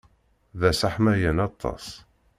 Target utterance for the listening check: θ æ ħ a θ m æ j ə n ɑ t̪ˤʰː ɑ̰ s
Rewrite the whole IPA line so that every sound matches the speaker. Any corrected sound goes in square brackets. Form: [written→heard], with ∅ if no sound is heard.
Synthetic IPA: [θ→ð] æ [ħ→s] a [θ→ħ] m æ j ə n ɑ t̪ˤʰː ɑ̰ s